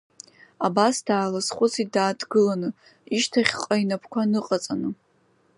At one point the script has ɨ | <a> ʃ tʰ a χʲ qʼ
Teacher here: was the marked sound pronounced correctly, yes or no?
no